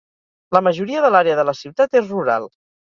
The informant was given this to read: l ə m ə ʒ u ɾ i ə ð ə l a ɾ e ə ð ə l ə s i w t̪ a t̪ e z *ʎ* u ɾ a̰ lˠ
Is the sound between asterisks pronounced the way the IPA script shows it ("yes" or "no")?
no